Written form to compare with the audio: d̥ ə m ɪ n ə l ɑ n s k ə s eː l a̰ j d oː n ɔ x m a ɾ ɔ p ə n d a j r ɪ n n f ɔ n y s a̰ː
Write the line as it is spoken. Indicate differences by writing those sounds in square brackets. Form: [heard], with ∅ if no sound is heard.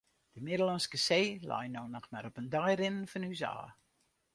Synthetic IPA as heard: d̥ ə m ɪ [d] ə l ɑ n s k ə s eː l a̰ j [n] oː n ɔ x m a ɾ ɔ p ə n d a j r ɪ n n f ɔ n y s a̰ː